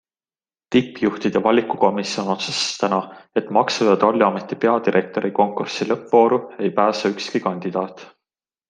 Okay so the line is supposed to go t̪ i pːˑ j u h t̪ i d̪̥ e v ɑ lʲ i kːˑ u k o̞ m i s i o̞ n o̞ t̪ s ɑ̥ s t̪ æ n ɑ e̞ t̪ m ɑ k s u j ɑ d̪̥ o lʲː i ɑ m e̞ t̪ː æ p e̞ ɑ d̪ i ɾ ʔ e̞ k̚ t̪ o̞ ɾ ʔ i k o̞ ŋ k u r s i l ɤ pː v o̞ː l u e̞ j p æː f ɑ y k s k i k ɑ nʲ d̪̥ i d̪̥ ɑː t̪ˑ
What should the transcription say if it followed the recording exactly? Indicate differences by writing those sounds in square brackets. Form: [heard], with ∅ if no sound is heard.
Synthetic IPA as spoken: t̪ i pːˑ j u h t̪ i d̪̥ e v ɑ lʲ i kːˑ u k o̞ m i s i o̞ n o̞ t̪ s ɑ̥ s t̪ æ n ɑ e̞ t̪ m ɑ k s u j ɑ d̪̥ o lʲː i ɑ m e̞ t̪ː [i] p e̞ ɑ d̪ i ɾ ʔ e̞ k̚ t̪ o̞ ɾ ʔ i k o̞ ŋ k u r s i l ɤ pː v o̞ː [ɾ] u e̞ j p æː [s] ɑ y k s k i k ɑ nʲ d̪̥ i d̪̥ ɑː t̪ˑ